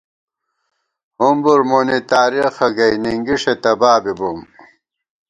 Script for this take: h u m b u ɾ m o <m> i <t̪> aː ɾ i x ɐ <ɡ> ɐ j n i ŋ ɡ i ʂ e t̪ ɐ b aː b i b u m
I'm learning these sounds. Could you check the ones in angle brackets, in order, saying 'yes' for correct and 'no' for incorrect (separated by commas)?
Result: no, yes, yes